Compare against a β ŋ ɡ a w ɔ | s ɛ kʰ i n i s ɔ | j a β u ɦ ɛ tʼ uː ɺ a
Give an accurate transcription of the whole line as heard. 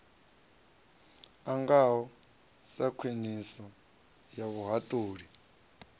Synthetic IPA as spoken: a ŋ ɡ a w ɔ | s a kʰ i n i s ɔ | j a β u ɦ a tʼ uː ɺ i

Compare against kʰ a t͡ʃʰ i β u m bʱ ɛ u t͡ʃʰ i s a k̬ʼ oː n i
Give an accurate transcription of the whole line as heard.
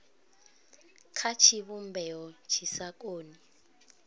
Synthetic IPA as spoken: kʰ a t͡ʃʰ i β u m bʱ ɛ ɔ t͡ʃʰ i s a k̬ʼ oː n i

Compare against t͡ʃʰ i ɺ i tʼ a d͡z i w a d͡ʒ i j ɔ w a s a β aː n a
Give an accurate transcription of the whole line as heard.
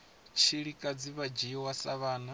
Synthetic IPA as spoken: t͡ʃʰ i ɺ i kʼ a d͡z i β a d͡ʒ i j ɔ w a s a β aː n a

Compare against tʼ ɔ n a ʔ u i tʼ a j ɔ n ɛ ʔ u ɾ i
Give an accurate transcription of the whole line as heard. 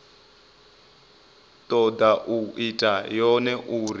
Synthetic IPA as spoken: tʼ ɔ d a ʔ u i tʼ a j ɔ n ɛ ʔ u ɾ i

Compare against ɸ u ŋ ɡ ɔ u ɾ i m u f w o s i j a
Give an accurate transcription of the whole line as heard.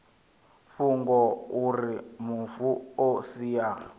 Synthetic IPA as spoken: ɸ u ŋ ɡ ɔ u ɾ i m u f u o s i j a

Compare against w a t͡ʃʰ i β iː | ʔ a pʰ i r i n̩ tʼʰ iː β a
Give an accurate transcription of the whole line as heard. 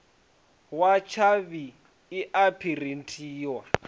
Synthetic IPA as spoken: w a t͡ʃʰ a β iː | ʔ a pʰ i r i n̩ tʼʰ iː w a

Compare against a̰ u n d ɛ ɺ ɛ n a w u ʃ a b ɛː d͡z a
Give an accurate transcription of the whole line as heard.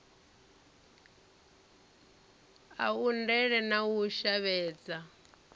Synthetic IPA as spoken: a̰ u n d ɛ ɺ ɛ n a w u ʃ a β ɛː d͡z a

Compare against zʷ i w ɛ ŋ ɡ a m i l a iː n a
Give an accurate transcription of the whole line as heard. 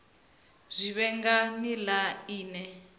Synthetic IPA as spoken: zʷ i β ɛ ŋ ɡ a n i l a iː n ɛ

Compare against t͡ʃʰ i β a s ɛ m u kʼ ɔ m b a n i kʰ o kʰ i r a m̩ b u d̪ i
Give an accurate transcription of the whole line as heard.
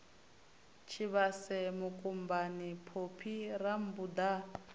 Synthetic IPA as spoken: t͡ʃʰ i β a s ɛ m u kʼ u m b a n i pʰ o pʰ i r a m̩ b u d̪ a

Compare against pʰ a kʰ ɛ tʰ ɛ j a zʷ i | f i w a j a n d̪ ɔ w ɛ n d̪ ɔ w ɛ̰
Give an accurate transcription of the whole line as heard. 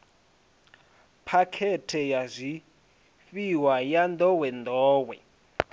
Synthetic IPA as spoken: pʰ a kʰ ɛ tʰ ɛ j a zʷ i | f i w a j a n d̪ ɔ w ɛ n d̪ ɔː w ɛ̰

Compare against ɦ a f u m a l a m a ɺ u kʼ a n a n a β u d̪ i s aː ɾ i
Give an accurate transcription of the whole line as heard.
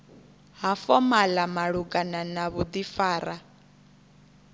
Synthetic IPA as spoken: ɦ a f ɔ m a l a m a ɺ u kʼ a n a n a β u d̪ i f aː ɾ a

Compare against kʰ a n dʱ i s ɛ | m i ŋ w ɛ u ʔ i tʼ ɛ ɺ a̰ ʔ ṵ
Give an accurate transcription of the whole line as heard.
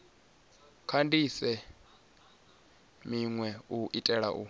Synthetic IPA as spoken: kʰ a n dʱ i s ɛ | m i ŋ w ɛ u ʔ i tʼ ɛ ɺ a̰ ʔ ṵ

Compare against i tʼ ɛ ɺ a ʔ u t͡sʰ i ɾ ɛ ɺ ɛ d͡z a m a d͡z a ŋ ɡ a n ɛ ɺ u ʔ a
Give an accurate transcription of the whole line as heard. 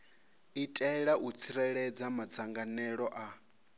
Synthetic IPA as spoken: i tʼ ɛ ɺ a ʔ u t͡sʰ i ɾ ɛ ɺ ɛ d͡z a m a d͡z a ŋ ɡ a n ɛ ɺ ɔ ʔ a

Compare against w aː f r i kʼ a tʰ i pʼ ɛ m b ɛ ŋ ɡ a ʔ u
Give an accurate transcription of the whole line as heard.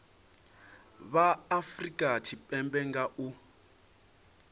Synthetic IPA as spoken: β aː f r i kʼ a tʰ i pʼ ɛ m b ɛ ŋ ɡ a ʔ u

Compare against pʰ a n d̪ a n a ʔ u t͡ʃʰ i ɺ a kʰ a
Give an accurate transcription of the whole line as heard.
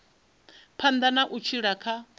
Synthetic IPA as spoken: pʰ a n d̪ a n a ʔ u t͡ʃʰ i ɺ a kʰ a

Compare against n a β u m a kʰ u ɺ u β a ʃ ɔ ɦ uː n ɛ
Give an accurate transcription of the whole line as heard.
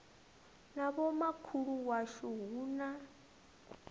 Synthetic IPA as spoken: n a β ɔ m a kʰ u ɺ u w a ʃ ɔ ɦ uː n a

